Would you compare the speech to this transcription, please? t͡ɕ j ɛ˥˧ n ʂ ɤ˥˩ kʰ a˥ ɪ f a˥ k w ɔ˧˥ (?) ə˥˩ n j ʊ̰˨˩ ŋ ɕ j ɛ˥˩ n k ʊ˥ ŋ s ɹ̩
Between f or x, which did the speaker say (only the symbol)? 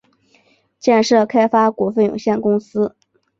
f